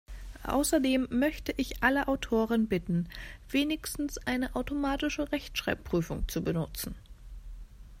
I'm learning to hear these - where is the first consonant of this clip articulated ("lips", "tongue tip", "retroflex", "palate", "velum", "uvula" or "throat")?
throat